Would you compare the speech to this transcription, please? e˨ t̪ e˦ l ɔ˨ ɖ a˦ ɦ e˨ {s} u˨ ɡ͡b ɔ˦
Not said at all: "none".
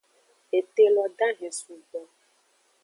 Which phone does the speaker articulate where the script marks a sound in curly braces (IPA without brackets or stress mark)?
s